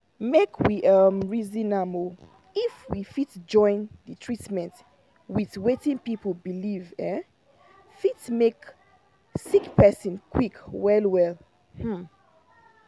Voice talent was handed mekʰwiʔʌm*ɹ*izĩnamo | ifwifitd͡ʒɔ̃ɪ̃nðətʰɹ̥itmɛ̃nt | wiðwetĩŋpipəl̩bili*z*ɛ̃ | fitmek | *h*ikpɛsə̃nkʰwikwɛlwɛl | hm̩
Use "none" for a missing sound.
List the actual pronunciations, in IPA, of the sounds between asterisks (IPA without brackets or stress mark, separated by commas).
ɹ, v, s